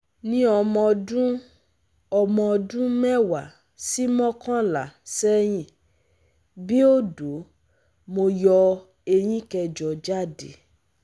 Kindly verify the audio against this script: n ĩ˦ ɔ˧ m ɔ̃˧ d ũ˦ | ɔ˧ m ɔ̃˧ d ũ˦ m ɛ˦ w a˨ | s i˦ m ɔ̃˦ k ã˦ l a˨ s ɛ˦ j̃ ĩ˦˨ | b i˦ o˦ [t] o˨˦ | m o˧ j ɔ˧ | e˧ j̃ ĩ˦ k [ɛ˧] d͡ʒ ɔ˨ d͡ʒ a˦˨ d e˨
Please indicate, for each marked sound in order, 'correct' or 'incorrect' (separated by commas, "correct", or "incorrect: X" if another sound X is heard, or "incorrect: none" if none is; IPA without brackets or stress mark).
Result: incorrect: d, correct